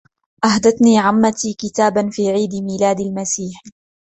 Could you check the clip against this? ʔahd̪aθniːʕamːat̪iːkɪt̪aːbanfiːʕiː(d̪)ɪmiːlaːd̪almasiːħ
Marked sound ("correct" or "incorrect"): correct